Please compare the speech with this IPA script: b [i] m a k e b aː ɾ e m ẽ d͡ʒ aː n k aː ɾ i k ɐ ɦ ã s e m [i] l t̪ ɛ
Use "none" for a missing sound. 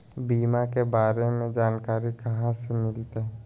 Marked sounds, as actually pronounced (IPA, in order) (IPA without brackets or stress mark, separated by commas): iː, ɪ